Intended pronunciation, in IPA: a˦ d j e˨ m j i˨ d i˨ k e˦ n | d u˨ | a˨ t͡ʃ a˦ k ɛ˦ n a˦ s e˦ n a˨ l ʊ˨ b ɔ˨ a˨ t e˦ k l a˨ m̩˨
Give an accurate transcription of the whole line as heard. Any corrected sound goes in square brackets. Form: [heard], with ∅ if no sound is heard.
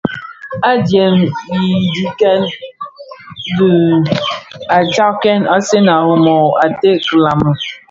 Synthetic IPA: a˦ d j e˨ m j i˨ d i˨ k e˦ n | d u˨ | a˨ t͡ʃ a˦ k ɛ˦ n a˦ s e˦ n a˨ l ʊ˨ [m] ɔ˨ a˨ t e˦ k l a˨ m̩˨